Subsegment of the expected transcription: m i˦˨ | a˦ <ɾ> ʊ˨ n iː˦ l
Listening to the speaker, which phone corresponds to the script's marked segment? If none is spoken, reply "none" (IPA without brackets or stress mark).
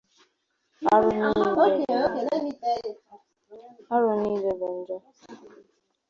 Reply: ɾ